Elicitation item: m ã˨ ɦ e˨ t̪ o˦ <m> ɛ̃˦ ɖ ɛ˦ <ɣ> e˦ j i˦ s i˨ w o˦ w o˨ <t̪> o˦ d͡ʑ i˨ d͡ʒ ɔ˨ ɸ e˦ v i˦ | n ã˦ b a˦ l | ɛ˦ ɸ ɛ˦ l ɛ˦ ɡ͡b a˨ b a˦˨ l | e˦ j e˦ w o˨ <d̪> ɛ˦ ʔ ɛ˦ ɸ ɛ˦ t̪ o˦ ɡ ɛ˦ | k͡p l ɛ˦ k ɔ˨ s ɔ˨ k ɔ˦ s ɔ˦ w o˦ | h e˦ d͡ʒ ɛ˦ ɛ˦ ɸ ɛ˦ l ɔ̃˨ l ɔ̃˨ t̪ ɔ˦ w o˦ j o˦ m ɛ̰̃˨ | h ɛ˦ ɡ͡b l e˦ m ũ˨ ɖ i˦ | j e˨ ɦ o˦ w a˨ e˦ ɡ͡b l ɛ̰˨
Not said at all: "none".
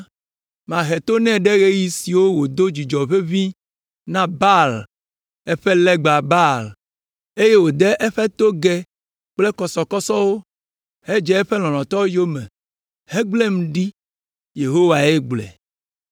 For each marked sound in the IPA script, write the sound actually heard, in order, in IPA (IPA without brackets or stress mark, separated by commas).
n, ɣ, d̪, d̪